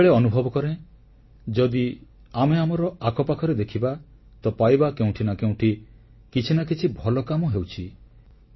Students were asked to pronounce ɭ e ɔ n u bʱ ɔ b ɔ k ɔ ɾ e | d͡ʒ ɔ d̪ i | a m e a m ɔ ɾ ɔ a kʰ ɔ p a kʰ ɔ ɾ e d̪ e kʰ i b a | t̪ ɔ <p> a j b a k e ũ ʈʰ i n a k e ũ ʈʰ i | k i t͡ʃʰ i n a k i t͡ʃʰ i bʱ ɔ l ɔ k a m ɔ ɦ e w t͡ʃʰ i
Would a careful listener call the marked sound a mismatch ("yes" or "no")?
no